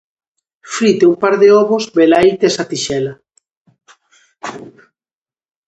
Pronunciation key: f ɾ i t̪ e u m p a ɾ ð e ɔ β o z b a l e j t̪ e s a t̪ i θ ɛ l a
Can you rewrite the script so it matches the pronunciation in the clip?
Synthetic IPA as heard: f ɾ i t̪ e u m p a ɾ ð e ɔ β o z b e l a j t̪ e s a t̪ i ʃ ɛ l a